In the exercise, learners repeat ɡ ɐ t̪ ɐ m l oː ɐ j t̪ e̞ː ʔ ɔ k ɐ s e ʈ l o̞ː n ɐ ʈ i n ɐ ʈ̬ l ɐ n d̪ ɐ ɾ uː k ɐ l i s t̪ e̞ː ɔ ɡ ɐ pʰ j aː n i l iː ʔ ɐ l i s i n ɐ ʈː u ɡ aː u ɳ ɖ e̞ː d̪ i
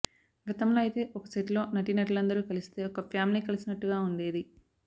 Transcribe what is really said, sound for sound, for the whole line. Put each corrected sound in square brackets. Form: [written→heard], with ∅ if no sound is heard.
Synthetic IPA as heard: ɡ ɐ t̪ ɐ m l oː ɐ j t̪ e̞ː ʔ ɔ k ɐ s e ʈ l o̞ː n ɐ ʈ i n ɐ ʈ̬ l ɐ n d̪ ɐ ɾ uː k ɐ l i s t̪ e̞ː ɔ [ɡ→k] ɐ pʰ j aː [n→m] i l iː [ʔ→k] ɐ l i s i n ɐ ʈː u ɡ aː u ɳ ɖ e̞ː d̪ i

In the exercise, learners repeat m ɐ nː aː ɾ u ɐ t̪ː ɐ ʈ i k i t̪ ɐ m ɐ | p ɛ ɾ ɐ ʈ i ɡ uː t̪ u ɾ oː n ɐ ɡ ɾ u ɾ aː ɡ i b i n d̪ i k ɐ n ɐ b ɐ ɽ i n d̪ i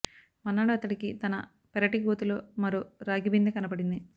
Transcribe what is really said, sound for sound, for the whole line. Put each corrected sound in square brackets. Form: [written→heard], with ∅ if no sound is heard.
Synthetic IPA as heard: m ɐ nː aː [ɾ→ɽ] u ɐ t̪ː ɐ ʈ i k i t̪ ɐ [m→n] ɐ | p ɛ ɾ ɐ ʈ i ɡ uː t̪ u [ɾ→l] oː [n→m] ɐ [ɡ→∅] ɾ u ɾ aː ɡ i b i n d̪ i k ɐ n ɐ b ɐ ɽ i n d̪ i

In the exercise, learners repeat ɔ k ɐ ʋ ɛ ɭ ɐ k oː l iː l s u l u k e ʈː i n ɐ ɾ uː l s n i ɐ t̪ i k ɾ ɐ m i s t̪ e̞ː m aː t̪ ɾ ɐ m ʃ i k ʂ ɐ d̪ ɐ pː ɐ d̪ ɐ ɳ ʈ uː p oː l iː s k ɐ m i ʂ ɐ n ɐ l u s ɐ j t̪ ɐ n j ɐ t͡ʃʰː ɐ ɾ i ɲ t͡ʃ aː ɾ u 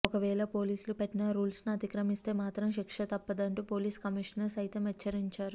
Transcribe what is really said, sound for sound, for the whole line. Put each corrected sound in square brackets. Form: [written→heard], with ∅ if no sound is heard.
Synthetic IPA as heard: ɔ k ɐ ʋ [ɛ→ɛː] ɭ ɐ [k→p] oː l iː [l→∅] s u l u [k→p] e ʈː i n ɐ ɾ uː l s n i ɐ t̪ i k ɾ ɐ m i s t̪ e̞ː m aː t̪ ɾ ɐ m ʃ i k ʂ ɐ [d̪→t̪] ɐ pː ɐ d̪ ɐ ɳ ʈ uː p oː l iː s k ɐ m i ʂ ɐ n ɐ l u s ɐ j t̪ ɐ [n→m] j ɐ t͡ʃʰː ɐ ɾ i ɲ t͡ʃ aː ɾ u

